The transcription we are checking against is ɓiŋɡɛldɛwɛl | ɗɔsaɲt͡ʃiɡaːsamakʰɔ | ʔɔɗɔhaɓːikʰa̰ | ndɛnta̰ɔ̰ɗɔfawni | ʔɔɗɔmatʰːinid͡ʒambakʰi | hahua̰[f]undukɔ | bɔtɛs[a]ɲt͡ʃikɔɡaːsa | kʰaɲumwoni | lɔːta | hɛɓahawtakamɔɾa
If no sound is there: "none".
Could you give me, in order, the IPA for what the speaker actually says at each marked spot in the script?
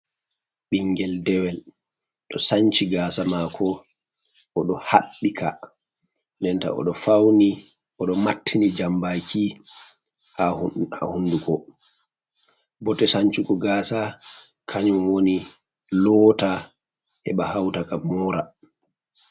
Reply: h, a

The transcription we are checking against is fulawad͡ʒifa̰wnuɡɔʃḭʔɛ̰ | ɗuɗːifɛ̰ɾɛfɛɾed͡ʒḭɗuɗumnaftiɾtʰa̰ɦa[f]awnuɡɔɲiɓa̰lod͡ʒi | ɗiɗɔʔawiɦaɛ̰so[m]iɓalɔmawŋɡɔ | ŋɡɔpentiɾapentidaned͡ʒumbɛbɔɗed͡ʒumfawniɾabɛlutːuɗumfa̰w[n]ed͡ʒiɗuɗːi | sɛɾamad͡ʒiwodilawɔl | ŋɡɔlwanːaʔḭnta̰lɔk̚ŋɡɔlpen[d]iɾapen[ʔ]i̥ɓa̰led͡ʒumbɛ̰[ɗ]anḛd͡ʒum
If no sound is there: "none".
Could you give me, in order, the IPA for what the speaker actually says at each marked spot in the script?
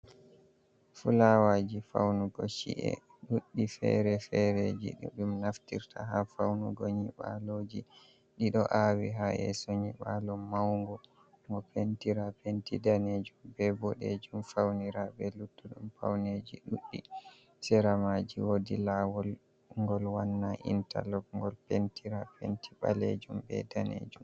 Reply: f, ɲ, n, t, t, d

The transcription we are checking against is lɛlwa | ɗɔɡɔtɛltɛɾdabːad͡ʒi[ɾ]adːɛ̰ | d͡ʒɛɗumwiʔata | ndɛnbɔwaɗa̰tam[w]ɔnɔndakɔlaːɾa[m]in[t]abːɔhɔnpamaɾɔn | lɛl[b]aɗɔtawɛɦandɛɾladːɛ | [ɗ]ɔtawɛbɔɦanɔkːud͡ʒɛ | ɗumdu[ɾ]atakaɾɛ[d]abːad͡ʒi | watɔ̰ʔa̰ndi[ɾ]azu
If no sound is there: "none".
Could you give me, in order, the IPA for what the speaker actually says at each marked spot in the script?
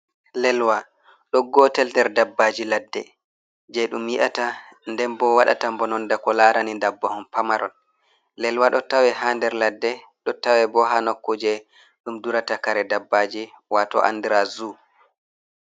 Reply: l, b, n, d, w, ɗ, ɾ, d, ɾ

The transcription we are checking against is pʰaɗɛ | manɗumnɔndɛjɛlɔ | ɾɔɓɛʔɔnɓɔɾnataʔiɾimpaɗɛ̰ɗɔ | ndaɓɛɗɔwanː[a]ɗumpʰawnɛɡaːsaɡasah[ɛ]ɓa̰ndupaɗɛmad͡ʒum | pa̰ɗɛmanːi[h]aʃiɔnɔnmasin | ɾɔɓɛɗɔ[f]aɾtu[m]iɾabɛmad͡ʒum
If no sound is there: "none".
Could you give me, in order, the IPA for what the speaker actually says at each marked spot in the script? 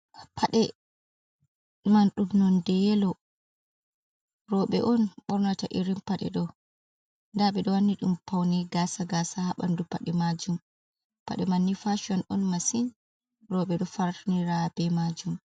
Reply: i, a, f, f, n

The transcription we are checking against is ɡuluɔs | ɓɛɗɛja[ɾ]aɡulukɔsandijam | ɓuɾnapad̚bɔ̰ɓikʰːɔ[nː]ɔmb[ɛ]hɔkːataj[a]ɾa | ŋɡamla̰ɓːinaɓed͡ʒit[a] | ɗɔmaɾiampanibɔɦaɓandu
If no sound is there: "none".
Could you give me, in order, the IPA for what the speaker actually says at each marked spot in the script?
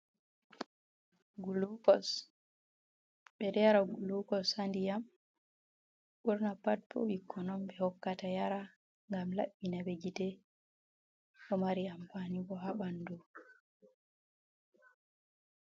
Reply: ɾ, n, ɛ, a, ɛ

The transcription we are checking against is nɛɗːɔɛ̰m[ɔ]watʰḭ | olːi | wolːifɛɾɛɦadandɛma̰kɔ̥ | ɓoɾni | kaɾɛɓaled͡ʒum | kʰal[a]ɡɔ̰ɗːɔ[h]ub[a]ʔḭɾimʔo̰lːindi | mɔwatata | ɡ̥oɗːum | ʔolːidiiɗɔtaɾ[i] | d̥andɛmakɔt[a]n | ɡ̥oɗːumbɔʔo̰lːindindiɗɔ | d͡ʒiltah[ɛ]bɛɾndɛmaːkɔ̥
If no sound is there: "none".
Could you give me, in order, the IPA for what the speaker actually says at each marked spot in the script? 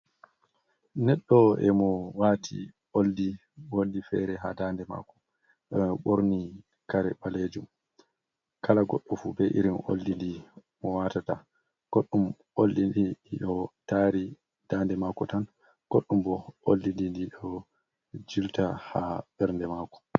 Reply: ɔ, a, f, ɛ, i, a, a

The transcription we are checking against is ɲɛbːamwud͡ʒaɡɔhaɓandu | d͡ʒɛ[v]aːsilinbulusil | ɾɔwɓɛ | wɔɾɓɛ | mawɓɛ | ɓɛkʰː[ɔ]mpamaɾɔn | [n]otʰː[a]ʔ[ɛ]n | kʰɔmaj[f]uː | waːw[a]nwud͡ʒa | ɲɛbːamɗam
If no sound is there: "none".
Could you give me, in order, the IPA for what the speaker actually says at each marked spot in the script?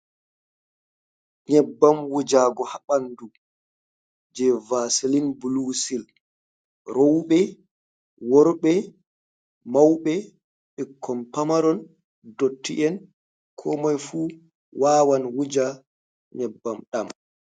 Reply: v, ɔ, d, i, ɛ, f, a

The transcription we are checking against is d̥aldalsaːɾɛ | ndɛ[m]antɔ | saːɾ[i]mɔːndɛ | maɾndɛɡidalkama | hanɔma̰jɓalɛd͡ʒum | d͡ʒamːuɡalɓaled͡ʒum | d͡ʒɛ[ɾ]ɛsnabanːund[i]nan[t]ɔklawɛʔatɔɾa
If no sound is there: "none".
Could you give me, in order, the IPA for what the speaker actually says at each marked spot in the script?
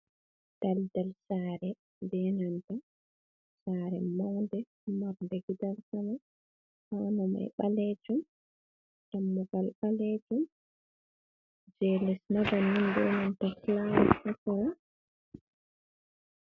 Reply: n, ɛ, l, ɛ, t

